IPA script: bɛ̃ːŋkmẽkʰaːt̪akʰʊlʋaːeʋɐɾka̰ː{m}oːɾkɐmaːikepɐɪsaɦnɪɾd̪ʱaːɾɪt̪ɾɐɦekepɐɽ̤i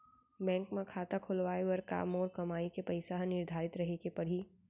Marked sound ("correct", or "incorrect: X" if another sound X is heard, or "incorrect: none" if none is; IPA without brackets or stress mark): correct